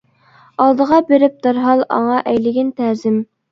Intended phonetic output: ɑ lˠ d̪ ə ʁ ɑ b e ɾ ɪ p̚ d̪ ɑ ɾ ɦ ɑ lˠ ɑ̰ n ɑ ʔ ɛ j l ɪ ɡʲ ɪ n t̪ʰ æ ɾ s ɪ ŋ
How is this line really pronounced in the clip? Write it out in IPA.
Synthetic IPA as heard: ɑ lˠ d̪ ə ʁ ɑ b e ɾ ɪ p̚ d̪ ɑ ɾ ɦ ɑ lˠ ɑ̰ ŋ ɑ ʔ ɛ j l ɪ ɡʲ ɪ n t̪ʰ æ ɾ z ɪ m